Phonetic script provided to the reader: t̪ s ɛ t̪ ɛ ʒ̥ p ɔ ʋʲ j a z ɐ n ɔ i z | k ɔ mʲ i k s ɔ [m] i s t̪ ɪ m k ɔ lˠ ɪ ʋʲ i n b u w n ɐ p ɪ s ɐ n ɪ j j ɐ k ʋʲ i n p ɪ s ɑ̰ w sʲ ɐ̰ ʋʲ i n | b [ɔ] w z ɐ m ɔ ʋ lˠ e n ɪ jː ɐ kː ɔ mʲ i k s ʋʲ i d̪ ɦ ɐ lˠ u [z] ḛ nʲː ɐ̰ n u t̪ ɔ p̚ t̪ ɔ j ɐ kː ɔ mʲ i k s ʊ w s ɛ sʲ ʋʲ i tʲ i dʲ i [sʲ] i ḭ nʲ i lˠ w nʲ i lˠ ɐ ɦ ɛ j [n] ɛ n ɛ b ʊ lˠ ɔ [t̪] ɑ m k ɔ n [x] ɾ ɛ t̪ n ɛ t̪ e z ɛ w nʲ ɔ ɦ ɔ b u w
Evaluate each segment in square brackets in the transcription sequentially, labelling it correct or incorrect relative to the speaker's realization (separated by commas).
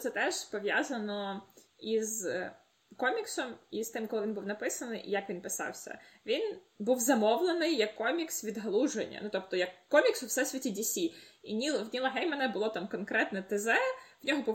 correct, incorrect, incorrect, correct, incorrect, correct, incorrect